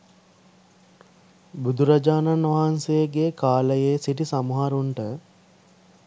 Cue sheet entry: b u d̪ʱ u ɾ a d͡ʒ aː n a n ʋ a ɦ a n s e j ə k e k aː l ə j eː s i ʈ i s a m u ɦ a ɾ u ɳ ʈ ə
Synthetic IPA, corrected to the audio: b u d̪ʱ u ɾ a d͡ʒ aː n a n ʋ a ɦ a n s e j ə ɡ e k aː l ə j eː s i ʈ i s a m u ɦ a ɾ u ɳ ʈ ə